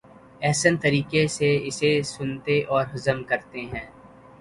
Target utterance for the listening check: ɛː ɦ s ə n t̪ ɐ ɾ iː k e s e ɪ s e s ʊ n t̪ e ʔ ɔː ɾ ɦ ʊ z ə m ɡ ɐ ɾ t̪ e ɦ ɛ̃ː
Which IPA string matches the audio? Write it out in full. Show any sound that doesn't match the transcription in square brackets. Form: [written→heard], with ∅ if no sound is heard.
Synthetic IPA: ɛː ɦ s ə n t̪ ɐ ɾ iː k e s e ɪ s e s ʊ n t̪ e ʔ ɔː ɾ ɦ ʊ z ə m [ɡ→k] ɐ ɾ t̪ e ɦ ɛ̃ː